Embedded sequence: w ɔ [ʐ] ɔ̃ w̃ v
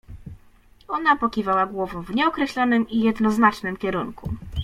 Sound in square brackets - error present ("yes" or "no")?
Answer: yes